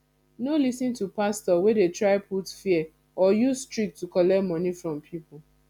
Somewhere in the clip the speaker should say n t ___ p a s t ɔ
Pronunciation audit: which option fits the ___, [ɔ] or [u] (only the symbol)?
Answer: u